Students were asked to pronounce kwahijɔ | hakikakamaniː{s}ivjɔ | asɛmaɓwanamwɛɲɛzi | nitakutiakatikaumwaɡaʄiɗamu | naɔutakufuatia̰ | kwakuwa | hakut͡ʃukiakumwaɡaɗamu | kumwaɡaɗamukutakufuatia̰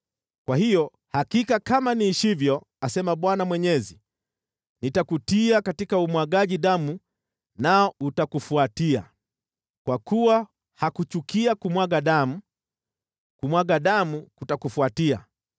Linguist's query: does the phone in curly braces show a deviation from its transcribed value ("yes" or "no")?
yes